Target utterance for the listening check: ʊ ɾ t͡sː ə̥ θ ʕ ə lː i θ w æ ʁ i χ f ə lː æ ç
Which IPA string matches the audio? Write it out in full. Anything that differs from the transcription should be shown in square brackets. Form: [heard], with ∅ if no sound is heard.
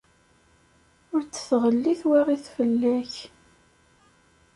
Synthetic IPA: ʊ ɾ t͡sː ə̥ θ [ʁ] ə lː i θ w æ ʁ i [θ] f ə lː æ ç